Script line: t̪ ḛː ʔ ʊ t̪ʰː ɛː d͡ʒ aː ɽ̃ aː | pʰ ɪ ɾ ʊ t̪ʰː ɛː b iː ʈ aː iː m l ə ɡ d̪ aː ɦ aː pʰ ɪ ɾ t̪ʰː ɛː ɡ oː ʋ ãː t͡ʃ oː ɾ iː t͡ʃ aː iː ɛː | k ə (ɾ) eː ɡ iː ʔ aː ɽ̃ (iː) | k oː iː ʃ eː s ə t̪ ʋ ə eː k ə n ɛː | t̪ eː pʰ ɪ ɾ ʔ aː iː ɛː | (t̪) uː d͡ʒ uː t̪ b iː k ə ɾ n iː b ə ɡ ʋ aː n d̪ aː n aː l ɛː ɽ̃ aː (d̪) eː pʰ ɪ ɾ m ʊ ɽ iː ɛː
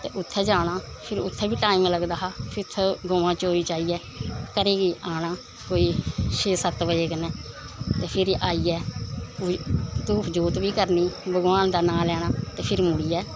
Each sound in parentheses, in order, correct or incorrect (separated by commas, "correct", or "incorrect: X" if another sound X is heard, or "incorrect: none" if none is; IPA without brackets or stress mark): correct, incorrect: aː, correct, incorrect: t̪